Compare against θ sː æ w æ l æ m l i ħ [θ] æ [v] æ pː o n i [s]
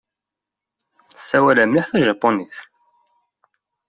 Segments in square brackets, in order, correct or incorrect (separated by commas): correct, incorrect, incorrect